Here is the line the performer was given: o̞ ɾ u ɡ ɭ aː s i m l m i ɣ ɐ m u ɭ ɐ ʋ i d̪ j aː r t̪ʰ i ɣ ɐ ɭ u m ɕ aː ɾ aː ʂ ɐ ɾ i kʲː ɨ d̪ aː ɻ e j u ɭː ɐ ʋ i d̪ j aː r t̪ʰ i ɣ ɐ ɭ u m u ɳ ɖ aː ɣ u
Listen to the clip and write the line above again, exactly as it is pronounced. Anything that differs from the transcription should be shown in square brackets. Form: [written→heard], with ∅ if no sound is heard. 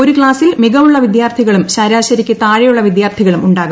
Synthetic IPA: o̞ ɾ u [ɡ→k] ɭ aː s i [m→∅] l m i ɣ ɐ m u [ɭ→ɭː] ɐ ʋ i d̪ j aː r t̪ʰ i ɣ ɐ ɭ u m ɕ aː ɾ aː [ʂ→ɕ] ɐ ɾ i kʲː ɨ [d̪→t̪] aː ɻ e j u ɭː ɐ ʋ i d̪ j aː r t̪ʰ i ɣ ɐ ɭ u m u ɳ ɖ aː ɣ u